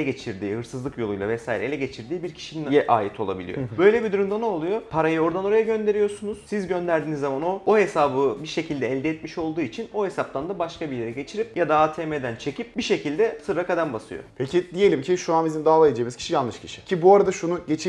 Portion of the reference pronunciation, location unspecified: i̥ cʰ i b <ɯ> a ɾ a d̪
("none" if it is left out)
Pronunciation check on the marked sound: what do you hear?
u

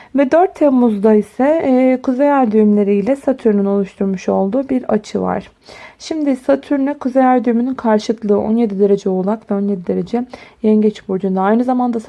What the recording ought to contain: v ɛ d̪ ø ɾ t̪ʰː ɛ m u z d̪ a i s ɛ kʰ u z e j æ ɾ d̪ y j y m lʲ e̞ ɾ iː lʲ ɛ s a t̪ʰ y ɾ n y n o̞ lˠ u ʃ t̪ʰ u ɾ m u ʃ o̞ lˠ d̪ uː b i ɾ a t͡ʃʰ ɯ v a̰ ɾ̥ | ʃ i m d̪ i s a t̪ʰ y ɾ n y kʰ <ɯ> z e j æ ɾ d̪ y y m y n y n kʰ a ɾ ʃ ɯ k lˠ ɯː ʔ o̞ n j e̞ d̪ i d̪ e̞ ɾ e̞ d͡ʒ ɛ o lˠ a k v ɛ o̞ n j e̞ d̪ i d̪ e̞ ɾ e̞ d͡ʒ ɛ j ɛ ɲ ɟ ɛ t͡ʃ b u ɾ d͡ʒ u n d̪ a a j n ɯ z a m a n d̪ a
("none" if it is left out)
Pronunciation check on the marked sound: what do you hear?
u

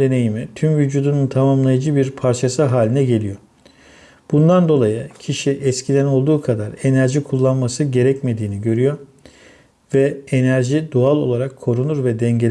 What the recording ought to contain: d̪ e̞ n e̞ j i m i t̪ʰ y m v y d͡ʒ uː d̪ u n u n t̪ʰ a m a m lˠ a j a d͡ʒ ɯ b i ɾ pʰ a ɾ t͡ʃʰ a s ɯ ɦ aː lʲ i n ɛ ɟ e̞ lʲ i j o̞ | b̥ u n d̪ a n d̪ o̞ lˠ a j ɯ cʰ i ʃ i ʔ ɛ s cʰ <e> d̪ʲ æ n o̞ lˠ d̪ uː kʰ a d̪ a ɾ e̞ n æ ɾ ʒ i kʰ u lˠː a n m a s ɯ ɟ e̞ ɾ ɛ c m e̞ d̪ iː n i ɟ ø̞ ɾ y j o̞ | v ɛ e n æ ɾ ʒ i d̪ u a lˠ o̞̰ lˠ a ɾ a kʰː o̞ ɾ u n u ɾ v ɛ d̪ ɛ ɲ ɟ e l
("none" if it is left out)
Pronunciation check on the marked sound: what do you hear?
i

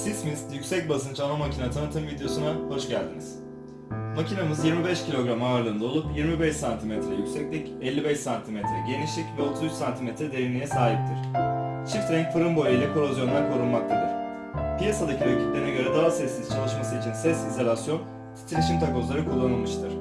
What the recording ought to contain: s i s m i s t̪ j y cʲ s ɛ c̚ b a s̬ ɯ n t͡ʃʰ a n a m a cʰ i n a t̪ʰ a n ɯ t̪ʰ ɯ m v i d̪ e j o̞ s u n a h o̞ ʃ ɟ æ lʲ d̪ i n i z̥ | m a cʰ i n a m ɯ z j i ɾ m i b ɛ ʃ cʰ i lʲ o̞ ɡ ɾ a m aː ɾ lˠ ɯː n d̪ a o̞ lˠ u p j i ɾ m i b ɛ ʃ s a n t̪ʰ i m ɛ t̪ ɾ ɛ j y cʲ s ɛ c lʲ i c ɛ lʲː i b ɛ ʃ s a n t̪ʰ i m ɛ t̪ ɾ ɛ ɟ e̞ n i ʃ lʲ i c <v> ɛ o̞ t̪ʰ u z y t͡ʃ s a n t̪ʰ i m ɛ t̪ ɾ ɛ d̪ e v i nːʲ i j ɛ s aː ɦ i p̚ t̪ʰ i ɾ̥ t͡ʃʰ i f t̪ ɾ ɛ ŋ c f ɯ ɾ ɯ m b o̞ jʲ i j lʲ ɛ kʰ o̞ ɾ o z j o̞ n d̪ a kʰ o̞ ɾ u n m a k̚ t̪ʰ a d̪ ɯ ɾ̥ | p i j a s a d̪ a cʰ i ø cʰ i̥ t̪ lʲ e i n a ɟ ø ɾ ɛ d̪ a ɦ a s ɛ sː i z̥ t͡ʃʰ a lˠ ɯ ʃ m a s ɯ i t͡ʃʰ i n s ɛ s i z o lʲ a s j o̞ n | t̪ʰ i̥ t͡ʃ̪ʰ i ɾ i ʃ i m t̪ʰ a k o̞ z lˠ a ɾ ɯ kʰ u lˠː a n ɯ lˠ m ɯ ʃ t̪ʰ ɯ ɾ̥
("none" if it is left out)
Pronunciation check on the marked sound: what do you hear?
v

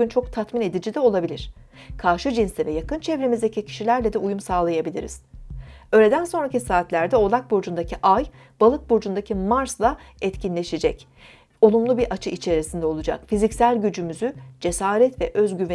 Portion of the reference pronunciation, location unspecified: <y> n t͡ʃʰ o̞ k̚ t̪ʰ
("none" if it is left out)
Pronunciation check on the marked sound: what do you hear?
y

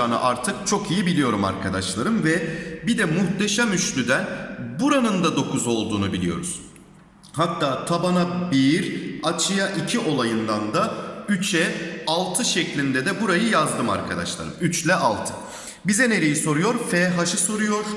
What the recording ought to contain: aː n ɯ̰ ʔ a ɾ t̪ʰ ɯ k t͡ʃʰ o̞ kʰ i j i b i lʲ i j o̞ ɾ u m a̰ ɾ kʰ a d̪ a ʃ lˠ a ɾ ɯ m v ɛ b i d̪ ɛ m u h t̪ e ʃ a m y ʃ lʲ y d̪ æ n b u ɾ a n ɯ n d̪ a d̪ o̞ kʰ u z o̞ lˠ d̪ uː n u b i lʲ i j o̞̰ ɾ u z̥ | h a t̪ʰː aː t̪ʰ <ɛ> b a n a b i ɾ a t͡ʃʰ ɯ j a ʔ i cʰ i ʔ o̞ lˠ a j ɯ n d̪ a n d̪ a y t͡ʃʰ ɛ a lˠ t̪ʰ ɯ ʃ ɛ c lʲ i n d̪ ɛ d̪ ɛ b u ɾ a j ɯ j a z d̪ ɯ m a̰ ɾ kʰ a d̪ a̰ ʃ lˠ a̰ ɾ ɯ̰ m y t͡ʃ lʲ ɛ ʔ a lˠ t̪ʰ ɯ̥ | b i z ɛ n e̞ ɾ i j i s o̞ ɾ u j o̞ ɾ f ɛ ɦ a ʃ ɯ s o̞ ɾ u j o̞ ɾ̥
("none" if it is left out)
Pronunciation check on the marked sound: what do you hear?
a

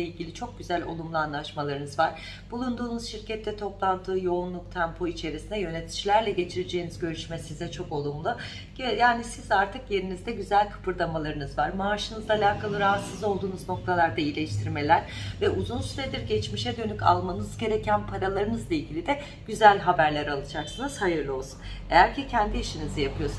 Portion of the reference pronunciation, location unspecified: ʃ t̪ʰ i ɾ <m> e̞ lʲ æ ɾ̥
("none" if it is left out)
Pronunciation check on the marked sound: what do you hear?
m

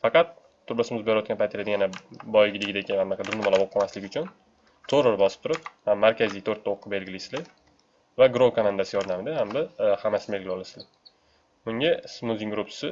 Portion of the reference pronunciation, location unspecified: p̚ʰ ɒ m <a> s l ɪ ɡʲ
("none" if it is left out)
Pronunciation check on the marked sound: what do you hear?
a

